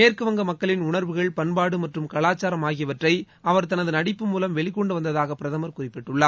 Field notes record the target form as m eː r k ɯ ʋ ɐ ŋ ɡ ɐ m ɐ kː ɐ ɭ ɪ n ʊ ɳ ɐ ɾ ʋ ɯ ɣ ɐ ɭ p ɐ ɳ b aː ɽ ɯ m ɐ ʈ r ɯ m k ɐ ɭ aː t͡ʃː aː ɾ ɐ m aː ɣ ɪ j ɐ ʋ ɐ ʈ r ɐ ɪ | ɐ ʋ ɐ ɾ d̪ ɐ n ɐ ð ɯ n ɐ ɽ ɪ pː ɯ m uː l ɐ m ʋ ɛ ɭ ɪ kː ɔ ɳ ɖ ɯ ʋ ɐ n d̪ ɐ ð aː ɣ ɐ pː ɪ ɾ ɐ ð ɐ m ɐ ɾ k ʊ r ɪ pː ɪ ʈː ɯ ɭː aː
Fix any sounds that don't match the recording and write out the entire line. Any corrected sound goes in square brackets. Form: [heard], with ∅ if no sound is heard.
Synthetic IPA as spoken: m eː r k ɯ ʋ ɐ ŋ ɡ ɐ m ɐ kː ɐ ɭ ɪ n ʊ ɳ ɐ ɾ ʋ ɯ ɣ ɐ ɭ p ɐ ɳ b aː ɽ ɯ m ɐ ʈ r ɯ m k ɐ ɭ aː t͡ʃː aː ɾ ɐ m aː ɣ ɪ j ɐ ʋ ɐ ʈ r ɐ ɪ | ɐ ʋ ɐ ɾ [t̪] ɐ n ɐ ð ɯ n ɐ ɽ ɪ pː ɯ m uː l ɐ m ʋ ɛ ɭ ɪ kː ɔ ɳ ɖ ɯ ʋ ɐ n d̪ ɐ ð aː ɣ ɐ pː ɪ ɾ ɐ ð ɐ m ɐ ɾ k ʊ r ɪ pː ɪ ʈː ɯ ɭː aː